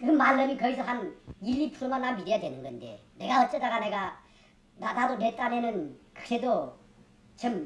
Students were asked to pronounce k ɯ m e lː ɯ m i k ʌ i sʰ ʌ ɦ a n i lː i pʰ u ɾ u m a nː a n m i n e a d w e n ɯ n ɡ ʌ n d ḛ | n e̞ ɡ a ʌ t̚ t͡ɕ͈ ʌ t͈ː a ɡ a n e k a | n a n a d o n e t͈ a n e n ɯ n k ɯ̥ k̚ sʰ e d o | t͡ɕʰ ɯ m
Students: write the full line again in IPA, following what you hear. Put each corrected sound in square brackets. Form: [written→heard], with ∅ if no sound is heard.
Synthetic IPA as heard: k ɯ m [e→a] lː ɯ m i k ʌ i sʰ ʌ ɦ a n i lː i pʰ u ɾ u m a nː a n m i [n→d] e a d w e n ɯ n ɡ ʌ n d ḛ | n e̞ ɡ a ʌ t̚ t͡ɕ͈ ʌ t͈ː a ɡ a n e [k→ɡ] a | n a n a d o n e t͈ a n e n ɯ n k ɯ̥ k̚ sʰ e d o | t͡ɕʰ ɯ m

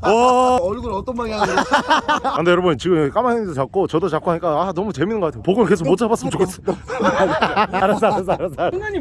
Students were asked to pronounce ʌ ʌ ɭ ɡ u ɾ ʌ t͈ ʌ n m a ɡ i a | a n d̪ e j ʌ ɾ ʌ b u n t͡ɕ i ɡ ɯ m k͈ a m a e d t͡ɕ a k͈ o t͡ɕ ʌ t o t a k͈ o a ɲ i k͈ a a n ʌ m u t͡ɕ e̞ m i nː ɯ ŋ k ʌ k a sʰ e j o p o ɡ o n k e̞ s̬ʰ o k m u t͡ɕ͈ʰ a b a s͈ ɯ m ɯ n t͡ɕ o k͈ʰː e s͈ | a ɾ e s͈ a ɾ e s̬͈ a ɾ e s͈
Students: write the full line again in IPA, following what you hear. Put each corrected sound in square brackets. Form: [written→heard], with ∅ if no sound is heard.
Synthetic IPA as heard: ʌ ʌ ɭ ɡ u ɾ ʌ t͈ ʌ n m a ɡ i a | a n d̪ e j ʌ ɾ ʌ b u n t͡ɕ i ɡ ɯ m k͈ a m a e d t͡ɕ a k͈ o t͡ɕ ʌ [t→d] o [t→t͡ɕ] a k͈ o a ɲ i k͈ a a n ʌ m u t͡ɕ e̞ m i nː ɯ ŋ [k→ɡ] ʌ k a [sʰ→tʰ] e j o p o ɡ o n k e̞ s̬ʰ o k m [u→o] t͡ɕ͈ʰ a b a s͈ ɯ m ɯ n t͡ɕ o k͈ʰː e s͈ | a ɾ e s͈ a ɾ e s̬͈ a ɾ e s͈

